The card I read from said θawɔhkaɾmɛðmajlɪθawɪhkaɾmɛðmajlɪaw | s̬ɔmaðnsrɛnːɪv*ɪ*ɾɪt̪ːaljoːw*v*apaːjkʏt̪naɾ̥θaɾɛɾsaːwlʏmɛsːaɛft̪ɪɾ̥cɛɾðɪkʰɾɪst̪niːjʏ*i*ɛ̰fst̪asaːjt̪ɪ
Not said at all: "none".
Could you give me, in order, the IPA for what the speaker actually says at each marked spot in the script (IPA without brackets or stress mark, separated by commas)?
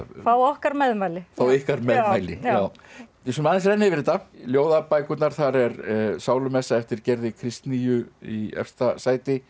ɪ, ð, i